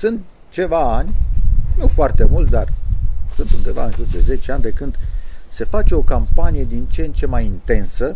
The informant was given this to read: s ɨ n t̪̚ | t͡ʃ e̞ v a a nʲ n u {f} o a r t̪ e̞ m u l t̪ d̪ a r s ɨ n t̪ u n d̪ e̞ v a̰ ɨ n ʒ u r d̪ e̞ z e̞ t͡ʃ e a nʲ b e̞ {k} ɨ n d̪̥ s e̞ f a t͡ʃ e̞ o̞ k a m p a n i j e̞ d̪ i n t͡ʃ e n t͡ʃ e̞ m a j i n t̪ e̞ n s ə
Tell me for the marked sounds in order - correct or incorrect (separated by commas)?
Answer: correct, correct